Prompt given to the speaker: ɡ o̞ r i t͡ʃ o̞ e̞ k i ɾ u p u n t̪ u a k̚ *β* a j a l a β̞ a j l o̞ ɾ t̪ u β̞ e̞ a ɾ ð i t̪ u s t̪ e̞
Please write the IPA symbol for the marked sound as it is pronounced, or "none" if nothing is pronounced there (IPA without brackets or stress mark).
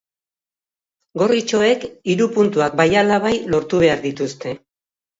b